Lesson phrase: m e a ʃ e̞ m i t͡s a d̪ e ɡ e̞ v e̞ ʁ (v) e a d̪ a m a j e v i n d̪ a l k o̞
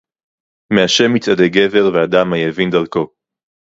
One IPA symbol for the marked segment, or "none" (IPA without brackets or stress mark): v